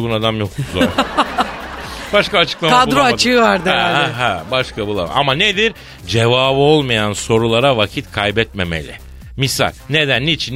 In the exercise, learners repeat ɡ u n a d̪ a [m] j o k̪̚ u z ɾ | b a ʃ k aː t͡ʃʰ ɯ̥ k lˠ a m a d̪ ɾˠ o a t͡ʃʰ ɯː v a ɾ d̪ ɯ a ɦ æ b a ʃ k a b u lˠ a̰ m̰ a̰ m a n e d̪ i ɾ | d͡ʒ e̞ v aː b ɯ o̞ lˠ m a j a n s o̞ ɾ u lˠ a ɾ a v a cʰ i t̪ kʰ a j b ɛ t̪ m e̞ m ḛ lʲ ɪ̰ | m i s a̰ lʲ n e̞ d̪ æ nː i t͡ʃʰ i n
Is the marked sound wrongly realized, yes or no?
no